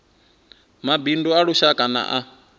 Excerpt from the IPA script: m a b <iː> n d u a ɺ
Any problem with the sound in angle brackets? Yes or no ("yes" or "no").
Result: yes